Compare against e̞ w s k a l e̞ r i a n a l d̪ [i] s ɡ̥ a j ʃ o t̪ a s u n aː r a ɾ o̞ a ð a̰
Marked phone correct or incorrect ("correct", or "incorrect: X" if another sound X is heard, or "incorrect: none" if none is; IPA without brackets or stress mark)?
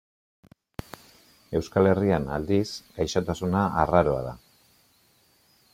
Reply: correct